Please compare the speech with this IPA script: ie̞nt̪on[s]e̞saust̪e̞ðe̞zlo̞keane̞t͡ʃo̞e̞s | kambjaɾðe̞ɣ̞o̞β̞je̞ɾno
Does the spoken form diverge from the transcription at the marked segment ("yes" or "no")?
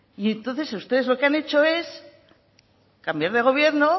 yes